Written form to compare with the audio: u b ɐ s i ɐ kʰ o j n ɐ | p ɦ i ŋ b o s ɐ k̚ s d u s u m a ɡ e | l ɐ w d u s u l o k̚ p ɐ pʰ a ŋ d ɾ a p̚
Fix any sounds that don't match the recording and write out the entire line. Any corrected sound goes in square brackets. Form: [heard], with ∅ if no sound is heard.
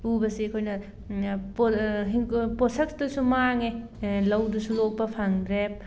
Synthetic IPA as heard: u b ɐ s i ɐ kʰ o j n ɐ | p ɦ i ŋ [p] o s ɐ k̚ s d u s u m a [ŋ] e | l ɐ w d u s u l o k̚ p ɐ pʰ a ŋ d ɾ [e] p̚